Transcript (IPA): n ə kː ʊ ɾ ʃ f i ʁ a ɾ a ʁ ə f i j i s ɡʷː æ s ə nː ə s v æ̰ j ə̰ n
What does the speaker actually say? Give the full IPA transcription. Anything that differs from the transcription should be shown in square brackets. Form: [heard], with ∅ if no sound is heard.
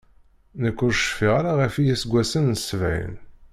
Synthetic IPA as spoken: n ə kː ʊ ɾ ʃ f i ʁ a ɾ a ʁ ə f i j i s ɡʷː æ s ə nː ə s v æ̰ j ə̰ n